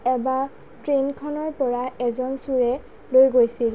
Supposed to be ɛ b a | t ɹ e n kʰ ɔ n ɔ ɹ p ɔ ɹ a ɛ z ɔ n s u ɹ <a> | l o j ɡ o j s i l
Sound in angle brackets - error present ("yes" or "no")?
yes